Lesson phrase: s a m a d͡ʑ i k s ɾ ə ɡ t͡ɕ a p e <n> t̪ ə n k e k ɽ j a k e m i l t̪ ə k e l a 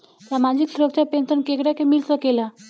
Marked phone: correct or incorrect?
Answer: correct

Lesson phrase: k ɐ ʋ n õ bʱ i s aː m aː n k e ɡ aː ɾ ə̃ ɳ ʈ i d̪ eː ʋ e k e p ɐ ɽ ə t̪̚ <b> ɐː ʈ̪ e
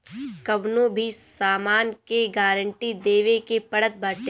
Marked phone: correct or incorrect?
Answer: correct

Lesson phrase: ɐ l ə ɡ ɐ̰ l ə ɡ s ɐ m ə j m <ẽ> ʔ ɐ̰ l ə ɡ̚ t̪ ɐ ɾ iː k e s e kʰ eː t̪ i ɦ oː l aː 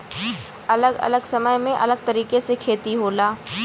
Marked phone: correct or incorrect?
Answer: correct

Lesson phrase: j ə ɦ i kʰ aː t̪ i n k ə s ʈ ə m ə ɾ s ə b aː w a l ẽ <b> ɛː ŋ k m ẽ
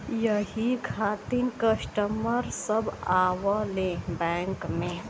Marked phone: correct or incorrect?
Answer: correct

